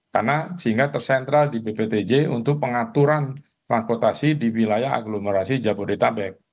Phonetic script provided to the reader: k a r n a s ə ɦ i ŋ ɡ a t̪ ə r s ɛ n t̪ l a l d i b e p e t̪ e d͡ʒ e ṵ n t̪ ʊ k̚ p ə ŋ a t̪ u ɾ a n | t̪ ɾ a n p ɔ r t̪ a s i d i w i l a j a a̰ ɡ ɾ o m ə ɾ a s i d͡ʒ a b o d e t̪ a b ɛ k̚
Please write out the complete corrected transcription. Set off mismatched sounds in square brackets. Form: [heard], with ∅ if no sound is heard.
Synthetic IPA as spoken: k a r n a s ə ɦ i ŋ ɡ a t̪ ə r s ɛ n t̪ [ɾ] a l d i b e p e t̪ e d͡ʒ e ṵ n t̪ ʊ k̚ p ə ŋ a t̪ u ɾ a n | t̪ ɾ a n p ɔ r t̪ a s i d i w i l a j a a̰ ɡ [l] o m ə ɾ a s i d͡ʒ a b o d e t̪ a b ɛ k̚

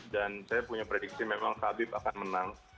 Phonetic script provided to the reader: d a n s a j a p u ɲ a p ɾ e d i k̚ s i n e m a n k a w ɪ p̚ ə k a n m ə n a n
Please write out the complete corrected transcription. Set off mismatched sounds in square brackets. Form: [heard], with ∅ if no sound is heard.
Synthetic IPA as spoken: d a n s a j a p u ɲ a p ɾ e d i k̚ s i [m] e m a [ŋ] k a [b] ɪ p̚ [a] k a n m ə n a [ŋ]

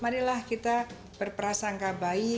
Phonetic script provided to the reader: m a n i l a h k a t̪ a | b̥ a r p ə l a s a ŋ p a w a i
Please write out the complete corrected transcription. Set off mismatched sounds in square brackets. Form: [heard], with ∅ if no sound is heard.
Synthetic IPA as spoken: m a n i l a h k [i] t̪ a | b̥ [ə] r p ə [ɾ] a s a ŋ [k] a [b] a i

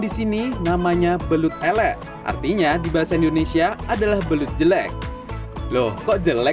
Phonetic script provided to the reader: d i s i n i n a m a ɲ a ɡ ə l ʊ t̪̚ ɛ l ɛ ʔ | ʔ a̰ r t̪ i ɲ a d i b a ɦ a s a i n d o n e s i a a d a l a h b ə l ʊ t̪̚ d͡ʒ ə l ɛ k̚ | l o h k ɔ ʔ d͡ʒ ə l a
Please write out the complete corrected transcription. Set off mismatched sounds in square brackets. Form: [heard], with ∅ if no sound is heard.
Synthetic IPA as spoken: d i s i n i n a m a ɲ a [b] ə l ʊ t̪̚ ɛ l ɛ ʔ | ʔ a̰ r t̪ i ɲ a d i b a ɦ a s a i n d o n e s i a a d a l a h b ə l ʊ t̪̚ d͡ʒ ə l ɛ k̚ | l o h k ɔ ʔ d͡ʒ ə l [ɛ]

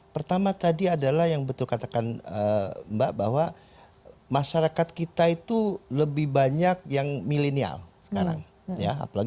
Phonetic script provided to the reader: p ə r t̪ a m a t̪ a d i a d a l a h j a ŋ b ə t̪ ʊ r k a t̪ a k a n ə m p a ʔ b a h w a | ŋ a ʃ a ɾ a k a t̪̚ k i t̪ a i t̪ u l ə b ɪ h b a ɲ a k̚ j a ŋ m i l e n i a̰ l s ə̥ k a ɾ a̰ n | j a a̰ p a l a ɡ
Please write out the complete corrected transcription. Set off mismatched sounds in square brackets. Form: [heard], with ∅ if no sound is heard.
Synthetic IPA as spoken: p ə r t̪ a m a t̪ a d i a d a l a h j a ŋ b ə t̪ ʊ [l] k a t̪ a k a n ə m [b] a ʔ b a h w a | [m] a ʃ a ɾ a k a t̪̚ k i t̪ a i t̪ u l ə b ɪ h b a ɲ a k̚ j a ŋ m i l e n i a̰ l s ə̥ k a ɾ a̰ [ŋ] | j a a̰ p a l a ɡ

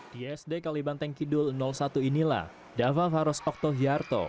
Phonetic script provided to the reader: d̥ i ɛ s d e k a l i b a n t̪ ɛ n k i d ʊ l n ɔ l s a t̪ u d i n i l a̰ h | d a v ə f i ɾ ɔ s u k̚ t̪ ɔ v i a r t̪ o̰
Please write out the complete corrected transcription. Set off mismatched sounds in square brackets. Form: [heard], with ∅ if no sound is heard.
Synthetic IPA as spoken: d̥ i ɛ s d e k a l i b a n t̪ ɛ [ŋ] k i d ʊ l n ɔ l s a t̪ u [∅] i n i l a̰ h | d a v [a] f [a] ɾ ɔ s [ɔ] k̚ t̪ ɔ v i a r t̪ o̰

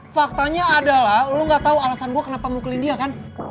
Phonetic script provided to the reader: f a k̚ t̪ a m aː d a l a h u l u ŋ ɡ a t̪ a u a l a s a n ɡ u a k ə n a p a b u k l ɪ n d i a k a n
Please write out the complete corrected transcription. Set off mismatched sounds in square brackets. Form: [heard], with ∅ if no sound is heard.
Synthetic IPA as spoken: f a k̚ t̪ a [ɲ] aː d a l a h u l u ŋ ɡ a t̪ a u a l a s a n ɡ u a k ə n a p a [m] u k l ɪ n d i a k a n

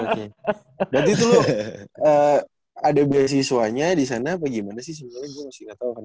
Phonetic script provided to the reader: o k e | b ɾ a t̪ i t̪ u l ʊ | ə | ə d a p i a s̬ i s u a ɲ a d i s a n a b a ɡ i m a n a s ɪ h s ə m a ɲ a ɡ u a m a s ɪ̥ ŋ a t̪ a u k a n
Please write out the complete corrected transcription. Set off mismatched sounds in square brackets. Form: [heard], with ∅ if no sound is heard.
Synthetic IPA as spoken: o k e | b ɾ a t̪ i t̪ u l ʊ | ə | [a] d a [b] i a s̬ i s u a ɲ a d i s a n a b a ɡ i m a n a s ɪ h s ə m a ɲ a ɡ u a m a s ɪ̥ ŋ a t̪ a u k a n

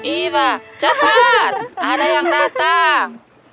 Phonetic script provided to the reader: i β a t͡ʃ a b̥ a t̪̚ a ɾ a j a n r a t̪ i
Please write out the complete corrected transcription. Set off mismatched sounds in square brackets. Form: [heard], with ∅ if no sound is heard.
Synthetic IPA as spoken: i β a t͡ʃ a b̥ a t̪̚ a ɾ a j a [ŋ] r a t̪ [a]

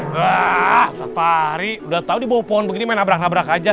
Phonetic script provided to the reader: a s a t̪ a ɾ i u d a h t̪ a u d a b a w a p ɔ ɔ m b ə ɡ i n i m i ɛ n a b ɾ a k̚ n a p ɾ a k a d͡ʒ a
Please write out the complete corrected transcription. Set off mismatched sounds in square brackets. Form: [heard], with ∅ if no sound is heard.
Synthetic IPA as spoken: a s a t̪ a ɾ i u d a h t̪ a u d [i] b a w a p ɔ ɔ [n] b ə ɡ i n i m [a] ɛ n a b ɾ a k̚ n a [b] ɾ a k a d͡ʒ a

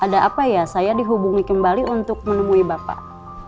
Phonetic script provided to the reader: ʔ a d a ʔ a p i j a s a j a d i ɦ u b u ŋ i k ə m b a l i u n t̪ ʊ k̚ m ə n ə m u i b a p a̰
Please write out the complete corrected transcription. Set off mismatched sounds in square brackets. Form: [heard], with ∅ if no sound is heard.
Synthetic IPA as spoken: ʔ a d a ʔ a p [a] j a s a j a d i ɦ u b u ŋ i k ə m b a l i u n t̪ ʊ k̚ m ə n ə m u i b a p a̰

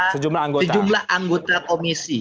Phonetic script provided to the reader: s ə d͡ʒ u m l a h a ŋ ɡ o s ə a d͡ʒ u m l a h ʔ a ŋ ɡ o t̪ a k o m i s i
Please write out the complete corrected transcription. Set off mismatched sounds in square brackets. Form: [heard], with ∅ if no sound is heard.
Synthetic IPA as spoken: s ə d͡ʒ u m l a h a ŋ ɡ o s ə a d͡ʒ u m l a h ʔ a ŋ ɡ o t̪ a k o m i s i

